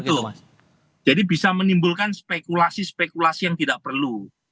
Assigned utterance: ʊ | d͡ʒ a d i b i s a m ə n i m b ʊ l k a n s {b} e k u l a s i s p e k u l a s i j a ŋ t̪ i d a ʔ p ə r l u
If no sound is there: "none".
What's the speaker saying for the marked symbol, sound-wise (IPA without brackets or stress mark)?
p